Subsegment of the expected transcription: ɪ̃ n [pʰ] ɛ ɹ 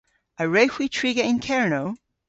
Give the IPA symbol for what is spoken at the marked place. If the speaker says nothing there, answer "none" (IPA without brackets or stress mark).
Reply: kʰ